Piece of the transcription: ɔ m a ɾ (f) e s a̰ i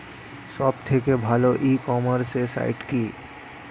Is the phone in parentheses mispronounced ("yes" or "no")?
yes